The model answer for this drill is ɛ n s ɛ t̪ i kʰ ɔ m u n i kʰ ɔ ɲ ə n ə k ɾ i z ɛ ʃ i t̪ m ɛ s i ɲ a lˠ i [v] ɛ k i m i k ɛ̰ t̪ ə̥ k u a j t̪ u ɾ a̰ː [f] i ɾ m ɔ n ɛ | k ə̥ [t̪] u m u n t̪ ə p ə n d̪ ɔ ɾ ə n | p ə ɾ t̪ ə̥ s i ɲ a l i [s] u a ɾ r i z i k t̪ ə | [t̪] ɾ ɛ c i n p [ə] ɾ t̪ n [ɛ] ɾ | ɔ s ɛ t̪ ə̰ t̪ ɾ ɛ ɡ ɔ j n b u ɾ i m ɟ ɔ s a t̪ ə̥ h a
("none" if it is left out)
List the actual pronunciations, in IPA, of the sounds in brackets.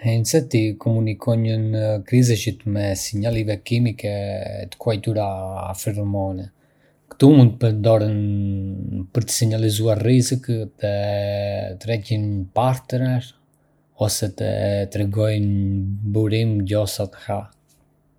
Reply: v, f, t̪, z, t̪, a, ɛ

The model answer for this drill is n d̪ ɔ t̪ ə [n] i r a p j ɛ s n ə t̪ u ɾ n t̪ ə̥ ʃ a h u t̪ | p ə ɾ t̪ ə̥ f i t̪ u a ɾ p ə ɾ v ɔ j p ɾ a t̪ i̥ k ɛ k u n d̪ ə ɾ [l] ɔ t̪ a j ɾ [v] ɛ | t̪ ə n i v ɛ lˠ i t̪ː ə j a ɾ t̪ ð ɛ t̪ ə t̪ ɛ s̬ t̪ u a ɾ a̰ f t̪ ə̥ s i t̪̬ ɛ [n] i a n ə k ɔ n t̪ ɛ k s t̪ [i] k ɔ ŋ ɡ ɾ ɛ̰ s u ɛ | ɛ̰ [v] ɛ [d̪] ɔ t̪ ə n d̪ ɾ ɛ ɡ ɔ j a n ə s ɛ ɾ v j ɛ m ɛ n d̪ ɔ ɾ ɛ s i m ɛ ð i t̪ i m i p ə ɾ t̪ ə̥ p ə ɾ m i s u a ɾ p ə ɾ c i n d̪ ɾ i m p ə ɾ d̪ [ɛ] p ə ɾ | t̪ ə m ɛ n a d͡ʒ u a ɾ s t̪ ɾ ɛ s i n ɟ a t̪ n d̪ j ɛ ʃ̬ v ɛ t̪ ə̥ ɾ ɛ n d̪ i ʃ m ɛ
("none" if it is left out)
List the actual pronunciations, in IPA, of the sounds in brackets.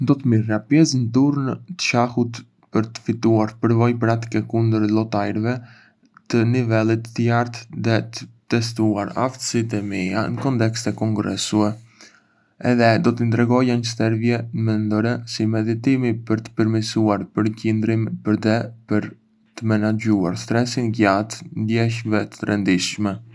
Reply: m, l, v, m, ɛ, ð, d̪, ɛ

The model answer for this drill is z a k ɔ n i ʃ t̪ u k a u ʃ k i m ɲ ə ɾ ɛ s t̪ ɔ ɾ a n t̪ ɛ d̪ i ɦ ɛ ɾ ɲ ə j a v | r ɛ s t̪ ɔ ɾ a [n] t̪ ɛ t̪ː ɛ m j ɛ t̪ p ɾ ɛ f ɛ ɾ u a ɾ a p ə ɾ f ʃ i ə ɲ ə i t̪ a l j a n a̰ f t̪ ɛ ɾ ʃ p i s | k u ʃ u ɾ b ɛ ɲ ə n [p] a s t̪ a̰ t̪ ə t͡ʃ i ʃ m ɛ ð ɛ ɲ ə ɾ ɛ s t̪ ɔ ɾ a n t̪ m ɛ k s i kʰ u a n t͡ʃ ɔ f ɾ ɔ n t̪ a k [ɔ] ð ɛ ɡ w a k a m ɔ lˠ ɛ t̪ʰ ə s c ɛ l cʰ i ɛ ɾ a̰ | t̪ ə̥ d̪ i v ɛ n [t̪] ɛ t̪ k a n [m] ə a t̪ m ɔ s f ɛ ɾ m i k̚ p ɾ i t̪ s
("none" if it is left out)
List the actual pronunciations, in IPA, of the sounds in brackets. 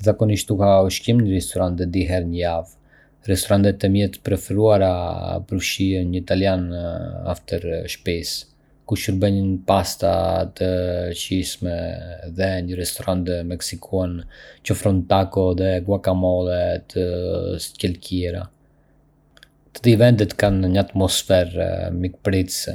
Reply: n, p, ɔ, d̪, ɲ

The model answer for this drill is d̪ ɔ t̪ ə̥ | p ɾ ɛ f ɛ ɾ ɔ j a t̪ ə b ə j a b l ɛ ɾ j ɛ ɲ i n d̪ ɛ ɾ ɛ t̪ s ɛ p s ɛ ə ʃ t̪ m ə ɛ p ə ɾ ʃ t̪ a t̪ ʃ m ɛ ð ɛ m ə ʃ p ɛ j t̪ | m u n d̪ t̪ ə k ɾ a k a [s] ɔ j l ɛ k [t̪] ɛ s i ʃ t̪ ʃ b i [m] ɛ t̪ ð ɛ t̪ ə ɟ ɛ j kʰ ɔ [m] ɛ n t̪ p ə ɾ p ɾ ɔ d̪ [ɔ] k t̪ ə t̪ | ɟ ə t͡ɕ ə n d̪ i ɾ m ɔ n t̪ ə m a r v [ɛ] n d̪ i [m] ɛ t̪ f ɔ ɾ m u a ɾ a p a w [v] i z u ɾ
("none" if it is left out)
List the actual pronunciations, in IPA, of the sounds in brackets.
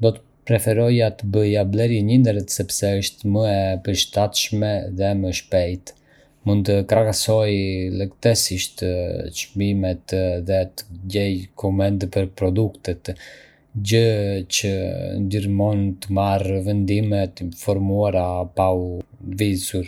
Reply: s, t̪, m, m, u, ɛ, m, v

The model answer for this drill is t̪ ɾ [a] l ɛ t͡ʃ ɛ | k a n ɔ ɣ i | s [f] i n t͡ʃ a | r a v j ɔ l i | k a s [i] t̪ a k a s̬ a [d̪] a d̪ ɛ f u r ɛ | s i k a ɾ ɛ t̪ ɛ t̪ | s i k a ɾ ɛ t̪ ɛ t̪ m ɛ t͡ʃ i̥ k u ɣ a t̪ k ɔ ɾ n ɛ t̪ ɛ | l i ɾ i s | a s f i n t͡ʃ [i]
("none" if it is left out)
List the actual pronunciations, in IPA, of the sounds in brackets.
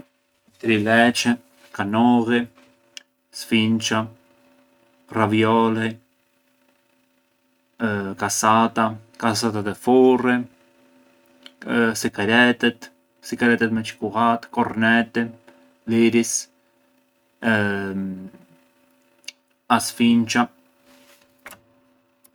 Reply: i, f, a, t̪, a

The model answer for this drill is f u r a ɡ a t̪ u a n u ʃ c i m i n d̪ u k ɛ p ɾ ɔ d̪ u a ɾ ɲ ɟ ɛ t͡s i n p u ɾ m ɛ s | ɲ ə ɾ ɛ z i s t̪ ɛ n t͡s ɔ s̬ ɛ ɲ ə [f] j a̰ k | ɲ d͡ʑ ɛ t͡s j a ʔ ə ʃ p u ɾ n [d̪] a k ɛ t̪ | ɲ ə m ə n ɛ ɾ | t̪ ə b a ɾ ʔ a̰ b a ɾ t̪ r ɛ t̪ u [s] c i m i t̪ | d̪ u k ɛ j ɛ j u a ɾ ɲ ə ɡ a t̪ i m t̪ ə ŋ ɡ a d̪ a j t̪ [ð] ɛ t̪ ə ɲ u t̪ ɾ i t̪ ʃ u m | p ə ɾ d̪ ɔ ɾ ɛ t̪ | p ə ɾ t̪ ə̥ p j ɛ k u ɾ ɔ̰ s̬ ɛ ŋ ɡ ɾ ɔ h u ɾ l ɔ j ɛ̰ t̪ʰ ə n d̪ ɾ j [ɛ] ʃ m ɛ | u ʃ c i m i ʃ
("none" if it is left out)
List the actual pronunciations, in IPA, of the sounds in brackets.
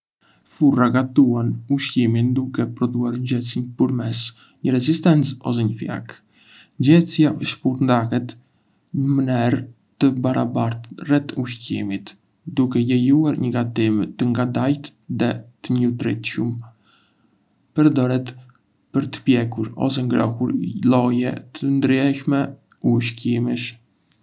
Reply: f, d̪, ʃ, ð, ɛ

